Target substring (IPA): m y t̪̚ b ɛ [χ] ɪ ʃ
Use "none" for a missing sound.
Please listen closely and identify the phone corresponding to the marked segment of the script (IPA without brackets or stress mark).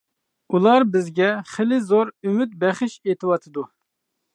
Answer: χ